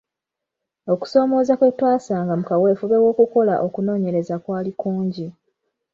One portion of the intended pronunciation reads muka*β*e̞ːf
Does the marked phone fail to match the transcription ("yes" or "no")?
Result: yes